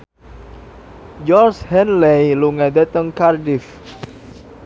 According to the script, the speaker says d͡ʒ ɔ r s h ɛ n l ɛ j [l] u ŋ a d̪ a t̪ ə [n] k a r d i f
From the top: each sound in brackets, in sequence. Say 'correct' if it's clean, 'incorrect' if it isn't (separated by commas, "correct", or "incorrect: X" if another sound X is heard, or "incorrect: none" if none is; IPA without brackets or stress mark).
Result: correct, incorrect: ŋ